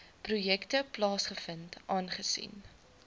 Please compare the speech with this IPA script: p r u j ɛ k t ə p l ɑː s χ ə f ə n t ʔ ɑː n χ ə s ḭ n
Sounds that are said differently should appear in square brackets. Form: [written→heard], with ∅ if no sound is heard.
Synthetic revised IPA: p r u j ɛ k t ə p l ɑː s χ ə f ə n t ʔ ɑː n χ ə s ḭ n